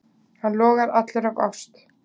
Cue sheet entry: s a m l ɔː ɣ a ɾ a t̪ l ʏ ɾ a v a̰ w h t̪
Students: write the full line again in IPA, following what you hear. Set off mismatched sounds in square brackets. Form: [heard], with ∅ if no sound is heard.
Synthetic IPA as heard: [h] a [n] l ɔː ɣ a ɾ a t̪ l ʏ ɾ a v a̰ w [s] t̪